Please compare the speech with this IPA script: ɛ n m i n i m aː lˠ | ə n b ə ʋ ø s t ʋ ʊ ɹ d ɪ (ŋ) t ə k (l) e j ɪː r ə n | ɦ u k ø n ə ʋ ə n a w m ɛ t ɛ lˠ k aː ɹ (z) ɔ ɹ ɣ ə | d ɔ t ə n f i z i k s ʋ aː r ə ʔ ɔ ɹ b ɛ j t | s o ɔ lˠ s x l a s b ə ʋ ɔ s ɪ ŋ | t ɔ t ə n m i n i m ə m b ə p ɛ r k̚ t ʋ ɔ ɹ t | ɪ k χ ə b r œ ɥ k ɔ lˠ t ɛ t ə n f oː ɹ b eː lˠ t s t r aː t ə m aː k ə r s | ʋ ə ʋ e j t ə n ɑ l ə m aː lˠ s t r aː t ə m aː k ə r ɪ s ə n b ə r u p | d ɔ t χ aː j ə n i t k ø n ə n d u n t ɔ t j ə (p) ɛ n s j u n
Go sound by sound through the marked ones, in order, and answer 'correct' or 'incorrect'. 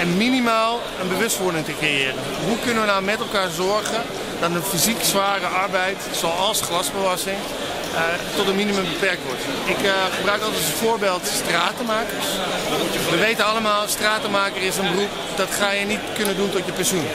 correct, incorrect, correct, correct

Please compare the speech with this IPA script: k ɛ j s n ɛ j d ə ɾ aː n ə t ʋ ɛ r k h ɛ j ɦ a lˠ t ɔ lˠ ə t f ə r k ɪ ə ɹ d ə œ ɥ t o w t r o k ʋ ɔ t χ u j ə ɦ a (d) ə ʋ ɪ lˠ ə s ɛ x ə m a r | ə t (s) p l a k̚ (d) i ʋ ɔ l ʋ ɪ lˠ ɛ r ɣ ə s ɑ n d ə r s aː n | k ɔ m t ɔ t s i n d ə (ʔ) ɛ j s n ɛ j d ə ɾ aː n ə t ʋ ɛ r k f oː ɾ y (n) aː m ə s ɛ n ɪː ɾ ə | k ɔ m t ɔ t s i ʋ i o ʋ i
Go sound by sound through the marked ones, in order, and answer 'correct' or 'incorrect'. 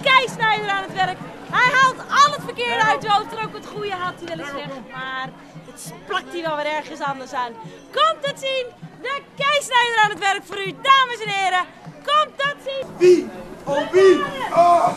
incorrect, correct, incorrect, incorrect, incorrect

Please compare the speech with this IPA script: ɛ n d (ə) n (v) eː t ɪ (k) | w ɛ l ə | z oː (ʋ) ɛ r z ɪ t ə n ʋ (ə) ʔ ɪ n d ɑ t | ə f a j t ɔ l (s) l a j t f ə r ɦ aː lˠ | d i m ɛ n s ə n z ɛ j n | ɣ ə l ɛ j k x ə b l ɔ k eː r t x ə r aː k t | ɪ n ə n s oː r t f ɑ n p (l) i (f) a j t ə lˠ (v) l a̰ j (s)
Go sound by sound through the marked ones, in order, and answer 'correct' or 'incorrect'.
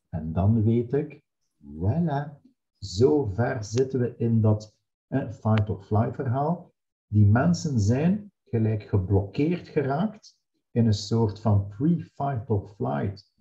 incorrect, incorrect, correct, incorrect, correct, incorrect, incorrect, correct, incorrect, incorrect

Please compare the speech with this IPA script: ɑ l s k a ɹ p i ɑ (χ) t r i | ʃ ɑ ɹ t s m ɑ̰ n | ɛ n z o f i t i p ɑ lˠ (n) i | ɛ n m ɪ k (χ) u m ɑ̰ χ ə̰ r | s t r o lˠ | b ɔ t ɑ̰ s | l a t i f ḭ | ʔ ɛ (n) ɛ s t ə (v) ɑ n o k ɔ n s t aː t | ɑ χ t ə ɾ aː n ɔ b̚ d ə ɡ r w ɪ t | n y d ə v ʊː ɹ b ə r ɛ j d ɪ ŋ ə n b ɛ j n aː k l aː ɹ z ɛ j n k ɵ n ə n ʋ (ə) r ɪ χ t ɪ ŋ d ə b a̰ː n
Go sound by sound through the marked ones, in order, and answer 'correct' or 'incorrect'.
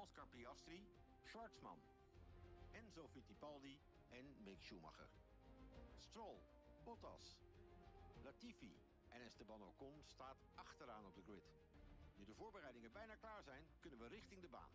incorrect, incorrect, incorrect, correct, incorrect, correct

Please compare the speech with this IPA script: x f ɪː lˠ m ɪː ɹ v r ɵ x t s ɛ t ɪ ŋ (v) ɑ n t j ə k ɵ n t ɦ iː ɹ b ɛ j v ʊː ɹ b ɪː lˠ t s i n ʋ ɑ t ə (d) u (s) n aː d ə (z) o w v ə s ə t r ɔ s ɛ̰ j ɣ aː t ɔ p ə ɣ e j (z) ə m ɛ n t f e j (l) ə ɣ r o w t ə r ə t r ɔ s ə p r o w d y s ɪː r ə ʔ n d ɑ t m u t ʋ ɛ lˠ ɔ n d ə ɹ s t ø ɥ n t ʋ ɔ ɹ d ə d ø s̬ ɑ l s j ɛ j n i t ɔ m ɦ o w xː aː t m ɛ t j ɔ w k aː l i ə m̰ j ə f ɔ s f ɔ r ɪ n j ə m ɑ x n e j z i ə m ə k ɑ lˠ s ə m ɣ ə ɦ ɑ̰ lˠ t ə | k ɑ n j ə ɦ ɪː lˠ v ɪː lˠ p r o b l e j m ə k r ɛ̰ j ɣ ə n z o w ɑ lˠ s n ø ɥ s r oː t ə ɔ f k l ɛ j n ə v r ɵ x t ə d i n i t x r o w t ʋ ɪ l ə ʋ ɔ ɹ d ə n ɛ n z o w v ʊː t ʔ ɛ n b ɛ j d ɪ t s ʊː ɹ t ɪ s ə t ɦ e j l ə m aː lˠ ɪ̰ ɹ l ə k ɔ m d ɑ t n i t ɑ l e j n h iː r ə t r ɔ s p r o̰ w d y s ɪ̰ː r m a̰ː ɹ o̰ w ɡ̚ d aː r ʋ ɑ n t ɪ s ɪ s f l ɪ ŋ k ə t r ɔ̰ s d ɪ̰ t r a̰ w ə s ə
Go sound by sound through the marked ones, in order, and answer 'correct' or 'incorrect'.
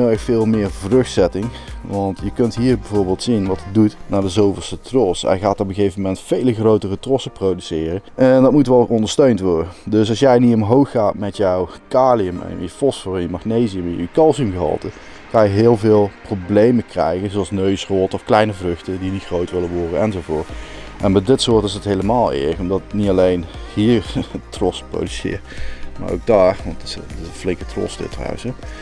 incorrect, correct, incorrect, correct, incorrect, correct

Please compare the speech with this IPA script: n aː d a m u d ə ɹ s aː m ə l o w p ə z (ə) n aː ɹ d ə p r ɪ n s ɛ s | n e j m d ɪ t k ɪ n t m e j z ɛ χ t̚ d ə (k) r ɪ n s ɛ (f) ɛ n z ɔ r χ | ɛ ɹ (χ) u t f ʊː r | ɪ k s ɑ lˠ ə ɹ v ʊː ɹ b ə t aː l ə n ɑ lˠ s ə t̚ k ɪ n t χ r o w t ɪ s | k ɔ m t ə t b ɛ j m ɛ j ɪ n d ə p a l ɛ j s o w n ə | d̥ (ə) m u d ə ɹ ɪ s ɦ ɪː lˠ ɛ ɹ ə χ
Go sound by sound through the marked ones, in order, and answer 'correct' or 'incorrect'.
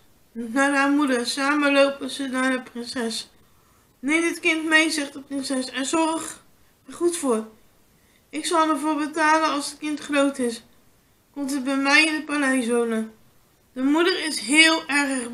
correct, incorrect, incorrect, correct, correct

